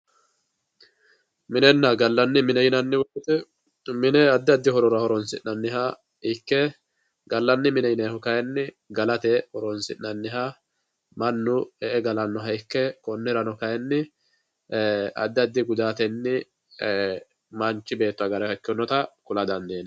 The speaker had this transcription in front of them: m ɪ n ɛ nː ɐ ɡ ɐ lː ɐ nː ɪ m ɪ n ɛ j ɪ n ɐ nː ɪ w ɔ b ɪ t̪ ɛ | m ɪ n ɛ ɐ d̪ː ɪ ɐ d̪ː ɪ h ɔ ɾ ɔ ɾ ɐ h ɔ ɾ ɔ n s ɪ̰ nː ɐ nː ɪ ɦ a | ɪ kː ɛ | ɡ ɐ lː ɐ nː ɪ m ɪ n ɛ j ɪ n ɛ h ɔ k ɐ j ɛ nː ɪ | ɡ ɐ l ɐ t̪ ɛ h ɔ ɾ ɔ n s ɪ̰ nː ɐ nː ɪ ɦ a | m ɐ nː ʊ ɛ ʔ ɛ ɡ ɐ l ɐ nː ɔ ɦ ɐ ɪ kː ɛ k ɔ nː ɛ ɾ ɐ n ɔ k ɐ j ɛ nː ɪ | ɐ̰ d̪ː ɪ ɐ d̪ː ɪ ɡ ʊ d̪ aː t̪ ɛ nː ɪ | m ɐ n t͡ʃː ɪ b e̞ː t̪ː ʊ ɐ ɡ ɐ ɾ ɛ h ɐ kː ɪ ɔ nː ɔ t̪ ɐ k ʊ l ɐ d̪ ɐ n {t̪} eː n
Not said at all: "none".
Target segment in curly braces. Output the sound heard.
d̪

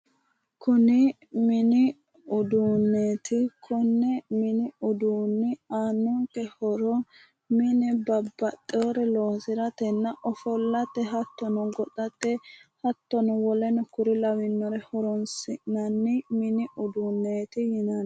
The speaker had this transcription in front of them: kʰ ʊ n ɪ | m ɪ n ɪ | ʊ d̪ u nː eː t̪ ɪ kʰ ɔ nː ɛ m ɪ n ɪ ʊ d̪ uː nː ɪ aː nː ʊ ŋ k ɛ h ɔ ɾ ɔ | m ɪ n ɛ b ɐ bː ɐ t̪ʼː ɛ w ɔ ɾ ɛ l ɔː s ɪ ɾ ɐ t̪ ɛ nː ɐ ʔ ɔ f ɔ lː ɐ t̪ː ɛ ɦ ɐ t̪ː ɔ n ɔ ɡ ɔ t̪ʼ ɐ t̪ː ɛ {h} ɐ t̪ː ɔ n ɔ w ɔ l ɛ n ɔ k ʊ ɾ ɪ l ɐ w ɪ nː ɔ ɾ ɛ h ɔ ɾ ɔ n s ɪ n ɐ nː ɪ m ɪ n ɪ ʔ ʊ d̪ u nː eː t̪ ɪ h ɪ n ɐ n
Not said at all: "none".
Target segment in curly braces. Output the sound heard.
h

